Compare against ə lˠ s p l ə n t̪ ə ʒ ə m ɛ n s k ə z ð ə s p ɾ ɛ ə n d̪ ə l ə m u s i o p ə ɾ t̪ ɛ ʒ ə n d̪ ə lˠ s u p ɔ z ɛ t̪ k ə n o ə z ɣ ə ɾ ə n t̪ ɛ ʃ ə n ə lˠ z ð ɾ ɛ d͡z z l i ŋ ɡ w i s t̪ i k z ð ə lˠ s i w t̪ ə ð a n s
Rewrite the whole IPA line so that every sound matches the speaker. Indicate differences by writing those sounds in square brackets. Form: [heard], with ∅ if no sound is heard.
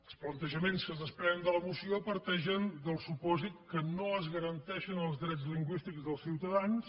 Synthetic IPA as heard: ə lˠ s p l ə n t̪ ə ʒ ə m [e] n s k ə z ð ə s p ɾ ɛ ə n d̪ ə l ə m u s i o p ə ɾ t̪ ɛ ʒ ə n d̪ ə lˠ s u p ɔ z [i] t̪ k ə n o ə z ɣ ə ɾ ə n t̪ ɛ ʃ ə n ə lˠ z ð ɾ ɛ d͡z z l i ŋ ɡ w i s t̪ i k z ð ə lˠ s i w t̪ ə ð a n s

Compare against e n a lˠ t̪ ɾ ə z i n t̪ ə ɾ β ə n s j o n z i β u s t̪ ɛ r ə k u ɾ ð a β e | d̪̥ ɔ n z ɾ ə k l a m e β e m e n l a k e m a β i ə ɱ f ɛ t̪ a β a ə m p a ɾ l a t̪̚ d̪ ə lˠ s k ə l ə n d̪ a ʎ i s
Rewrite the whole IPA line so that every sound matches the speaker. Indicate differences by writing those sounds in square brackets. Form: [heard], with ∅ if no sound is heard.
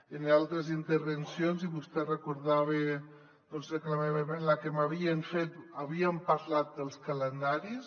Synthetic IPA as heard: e n a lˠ t̪ ɾ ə z i n t̪ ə ɾ β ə n s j o n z i β u s t̪ ɛ r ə k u ɾ ð a β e | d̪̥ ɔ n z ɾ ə k l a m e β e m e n l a k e m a β i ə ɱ f [e] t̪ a β [i] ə m p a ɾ l a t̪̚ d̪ ə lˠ s k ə l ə n d̪ a [ɾ] i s

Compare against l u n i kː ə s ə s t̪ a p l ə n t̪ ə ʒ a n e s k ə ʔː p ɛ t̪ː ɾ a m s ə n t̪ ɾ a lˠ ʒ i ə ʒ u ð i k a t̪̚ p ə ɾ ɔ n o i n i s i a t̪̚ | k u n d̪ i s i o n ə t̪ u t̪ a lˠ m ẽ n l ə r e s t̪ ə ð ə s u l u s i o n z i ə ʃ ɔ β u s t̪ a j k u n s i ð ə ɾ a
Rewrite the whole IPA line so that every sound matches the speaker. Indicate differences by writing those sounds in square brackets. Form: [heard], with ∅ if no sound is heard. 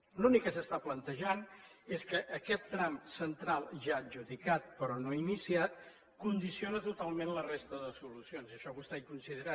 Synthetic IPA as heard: l u n i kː ə s ə s t̪ a p l ə n t̪ ə ʒ a n e s k ə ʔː [k] ɛ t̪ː ɾ a m s ə n t̪ ɾ a lˠ ʒ [a] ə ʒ u ð i k a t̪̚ p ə ɾ ɔ n o i n i s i a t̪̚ | k u n d̪ i s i o n ə t̪ u t̪ a lˠ m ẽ n l ə r e s t̪ ə ð ə s u l u s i o n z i ə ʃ ɔ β u s t̪ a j k u n s i ð ə ɾ a

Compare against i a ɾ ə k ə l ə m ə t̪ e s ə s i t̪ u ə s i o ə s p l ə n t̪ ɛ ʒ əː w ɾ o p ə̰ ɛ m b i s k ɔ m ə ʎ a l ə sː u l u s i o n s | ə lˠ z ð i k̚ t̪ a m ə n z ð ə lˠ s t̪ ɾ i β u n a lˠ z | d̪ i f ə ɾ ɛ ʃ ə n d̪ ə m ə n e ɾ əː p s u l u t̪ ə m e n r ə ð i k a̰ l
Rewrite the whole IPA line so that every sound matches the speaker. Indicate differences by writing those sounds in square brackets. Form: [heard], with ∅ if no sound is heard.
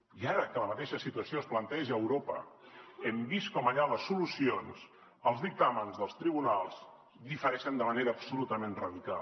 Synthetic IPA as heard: i a ɾ ə k ə l ə m ə t̪ e [ʃ] ə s i t̪ u ə s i o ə s p l ə n t̪ ɛ ʒ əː w ɾ o p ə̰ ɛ m b i s k ɔ m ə ʎ a l ə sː u l u s i o n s | ə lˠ z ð i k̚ t̪ a m ə n z ð ə lˠ s t̪ ɾ i β u n a lˠ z | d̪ i f ə ɾ ɛ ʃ ə n d̪ ə m ə n e ɾ əː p s u l u t̪ ə m e n r ə ð i k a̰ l

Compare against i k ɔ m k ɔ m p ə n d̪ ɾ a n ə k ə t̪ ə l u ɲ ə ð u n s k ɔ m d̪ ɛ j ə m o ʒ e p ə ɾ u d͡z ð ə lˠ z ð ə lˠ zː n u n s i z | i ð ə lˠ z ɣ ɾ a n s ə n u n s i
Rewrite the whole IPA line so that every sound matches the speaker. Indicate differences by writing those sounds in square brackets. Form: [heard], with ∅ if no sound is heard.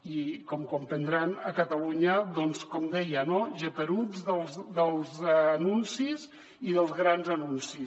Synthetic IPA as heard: i k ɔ m k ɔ m p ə n d̪ ɾ a n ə k ə t̪ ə l u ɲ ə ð [ɔ] n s k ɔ m d̪ ɛ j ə [n] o ʒ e p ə ɾ u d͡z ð ə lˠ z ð ə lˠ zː n u n s i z | i ð ə lˠ z ɣ ɾ a n [z] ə n u n s i

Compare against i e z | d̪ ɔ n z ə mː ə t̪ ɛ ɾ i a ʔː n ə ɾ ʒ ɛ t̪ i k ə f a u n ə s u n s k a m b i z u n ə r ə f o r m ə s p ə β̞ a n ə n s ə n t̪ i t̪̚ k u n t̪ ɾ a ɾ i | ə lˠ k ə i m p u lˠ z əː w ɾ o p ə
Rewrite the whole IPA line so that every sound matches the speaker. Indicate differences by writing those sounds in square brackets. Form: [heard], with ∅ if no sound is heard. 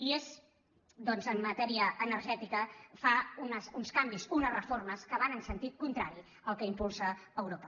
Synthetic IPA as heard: i e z | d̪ ɔ n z ə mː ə t̪ ɛ ɾ i [ə] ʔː n ə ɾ ʒ ɛ t̪ i k ə f a u n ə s u n s k a m b i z u n ə r ə f o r m ə s [k] ə β̞ a n ə n s ə n t̪ i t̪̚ k u n t̪ ɾ a ɾ i | ə lˠ k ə i m p u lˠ [s] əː w ɾ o p ə

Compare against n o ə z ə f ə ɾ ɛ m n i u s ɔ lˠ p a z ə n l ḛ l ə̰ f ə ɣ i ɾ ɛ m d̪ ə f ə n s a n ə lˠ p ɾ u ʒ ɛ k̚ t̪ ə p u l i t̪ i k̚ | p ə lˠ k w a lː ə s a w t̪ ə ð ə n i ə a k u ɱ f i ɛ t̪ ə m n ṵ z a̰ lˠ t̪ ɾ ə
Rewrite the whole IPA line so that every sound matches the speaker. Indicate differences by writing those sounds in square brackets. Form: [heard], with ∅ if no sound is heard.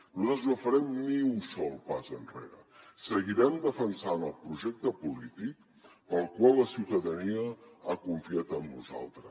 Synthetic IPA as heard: n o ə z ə f ə ɾ ɛ m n i u s ɔ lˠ p a z ə n [r] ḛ [ɾ] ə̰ [s] ə ɣ i ɾ ɛ m d̪ ə f ə n s a n ə lˠ p ɾ u ʒ ɛ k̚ t̪ ə p u l i t̪ i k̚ | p ə lˠ k w a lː ə s [i] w t̪ ə ð ə n i ə a k u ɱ f i [a] t̪ ə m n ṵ z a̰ lˠ t̪ ɾ ə

